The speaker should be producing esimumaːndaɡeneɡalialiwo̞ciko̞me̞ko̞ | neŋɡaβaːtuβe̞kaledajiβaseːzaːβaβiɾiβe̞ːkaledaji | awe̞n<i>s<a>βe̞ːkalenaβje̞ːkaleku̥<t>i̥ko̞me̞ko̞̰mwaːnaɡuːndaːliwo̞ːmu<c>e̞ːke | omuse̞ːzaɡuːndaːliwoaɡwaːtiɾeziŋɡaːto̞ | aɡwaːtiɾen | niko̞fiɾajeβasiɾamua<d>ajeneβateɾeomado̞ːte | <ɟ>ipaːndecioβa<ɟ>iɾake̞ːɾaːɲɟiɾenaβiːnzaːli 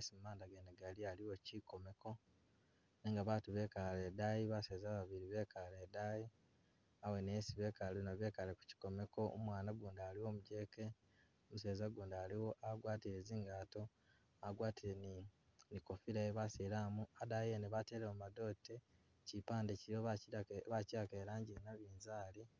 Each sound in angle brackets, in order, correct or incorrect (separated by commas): incorrect, incorrect, incorrect, incorrect, correct, incorrect, incorrect